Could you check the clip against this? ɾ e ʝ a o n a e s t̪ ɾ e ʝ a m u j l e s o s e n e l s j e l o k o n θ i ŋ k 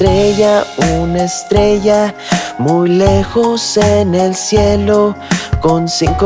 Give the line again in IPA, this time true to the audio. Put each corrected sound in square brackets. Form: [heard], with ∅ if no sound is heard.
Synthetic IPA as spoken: ɾ e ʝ a [u] n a e s t̪ ɾ e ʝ a m u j l e [x] o s e n e l s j e l o k o n [s] i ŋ k

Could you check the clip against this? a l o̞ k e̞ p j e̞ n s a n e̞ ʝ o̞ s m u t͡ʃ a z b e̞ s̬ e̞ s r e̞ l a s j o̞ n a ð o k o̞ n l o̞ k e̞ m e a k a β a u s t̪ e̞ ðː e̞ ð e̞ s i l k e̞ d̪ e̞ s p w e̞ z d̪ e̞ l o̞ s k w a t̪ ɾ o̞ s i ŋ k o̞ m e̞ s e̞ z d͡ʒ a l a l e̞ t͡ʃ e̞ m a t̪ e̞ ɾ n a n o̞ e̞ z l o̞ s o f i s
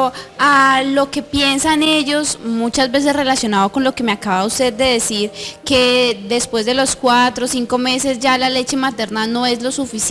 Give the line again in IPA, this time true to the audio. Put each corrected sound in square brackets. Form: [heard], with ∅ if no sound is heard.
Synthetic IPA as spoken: a l o̞ k e̞ p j e̞ n s a n e̞ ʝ o̞ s m u t͡ʃ a z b e̞ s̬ e̞ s r e̞ l a s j o̞ n a ð o k o̞ n l o̞ k e̞ m e a k a β a u s t̪ e̞ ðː e̞ ð e̞ s i [ɾ] k e̞ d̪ e̞ s p w e̞ z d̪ e̞ l o̞ s k w a t̪ ɾ o̞ s i ŋ k o̞ m e̞ s e̞ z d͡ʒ a l a l e̞ t͡ʃ e̞ m a t̪ e̞ ɾ n a n o̞ e̞ z l o̞ s [u] f i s

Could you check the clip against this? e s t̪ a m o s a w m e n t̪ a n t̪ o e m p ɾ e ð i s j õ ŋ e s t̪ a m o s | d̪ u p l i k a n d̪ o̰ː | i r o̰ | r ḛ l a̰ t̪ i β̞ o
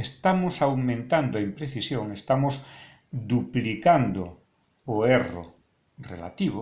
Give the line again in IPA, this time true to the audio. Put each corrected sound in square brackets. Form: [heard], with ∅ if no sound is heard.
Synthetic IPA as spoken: e s t̪ a m o s a w m [ẽ] n t̪ a n [d̪] o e m p ɾ e [θ] i s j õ ŋ e s t̪ a m o s | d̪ u p l i k a n d̪ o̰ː | [e] r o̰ | r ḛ l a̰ t̪ i β̞ o

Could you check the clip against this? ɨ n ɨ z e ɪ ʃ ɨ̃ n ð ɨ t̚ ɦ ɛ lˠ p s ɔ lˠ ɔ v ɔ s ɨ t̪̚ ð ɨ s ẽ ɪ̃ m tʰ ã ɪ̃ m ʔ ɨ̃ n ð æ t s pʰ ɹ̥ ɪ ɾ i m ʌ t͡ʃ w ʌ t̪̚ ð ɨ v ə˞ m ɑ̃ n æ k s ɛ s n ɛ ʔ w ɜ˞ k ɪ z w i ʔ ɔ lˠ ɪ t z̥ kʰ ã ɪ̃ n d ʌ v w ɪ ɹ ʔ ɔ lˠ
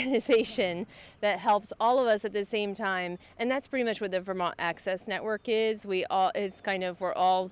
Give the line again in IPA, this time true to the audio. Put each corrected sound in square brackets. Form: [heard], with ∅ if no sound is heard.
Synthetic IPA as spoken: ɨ n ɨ z e ɪ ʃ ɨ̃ n ð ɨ t̚ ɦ ɛ lˠ p s ɔ lˠ [ʌ] v [ʌ] s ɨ t̪̚ ð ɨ s ẽ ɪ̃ m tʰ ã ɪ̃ m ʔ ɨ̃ n ð æ t s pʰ ɹ̥ ɪ ɾ i m ʌ t͡ʃ w ʌ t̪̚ ð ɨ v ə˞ m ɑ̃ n æ k s ɛ s n ɛ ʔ w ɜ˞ k ɪ z w i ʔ ɔ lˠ ɪ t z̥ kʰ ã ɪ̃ n d ʌ v w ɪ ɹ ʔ ɔ lˠ

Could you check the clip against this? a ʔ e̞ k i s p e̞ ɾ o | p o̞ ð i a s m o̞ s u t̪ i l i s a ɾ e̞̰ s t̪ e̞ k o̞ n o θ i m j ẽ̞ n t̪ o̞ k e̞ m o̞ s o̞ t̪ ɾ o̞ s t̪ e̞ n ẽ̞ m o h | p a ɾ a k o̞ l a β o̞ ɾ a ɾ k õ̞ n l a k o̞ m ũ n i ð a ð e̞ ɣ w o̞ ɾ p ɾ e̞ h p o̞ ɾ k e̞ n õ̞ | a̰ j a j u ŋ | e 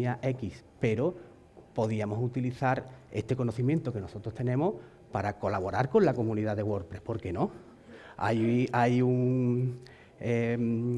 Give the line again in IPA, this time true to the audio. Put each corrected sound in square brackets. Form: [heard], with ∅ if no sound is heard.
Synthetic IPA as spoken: a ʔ e̞ k i s p e̞ ɾ o | p o̞ ð i a [∅] m o̞ s u t̪ i l i [θ] a ɾ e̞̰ s t̪ e̞ k o̞ n o θ i m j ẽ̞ n t̪ o̞ k e̞ [n] o̞ s o̞ t̪ ɾ o̞ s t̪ e̞ n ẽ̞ m o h | p a ɾ a k o̞ l a β o̞ ɾ a ɾ k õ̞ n l a k o̞ m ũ n i ð a ð e̞ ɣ w o̞ ɾ p ɾ e̞ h p o̞ ɾ k e̞ n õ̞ | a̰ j a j u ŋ | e

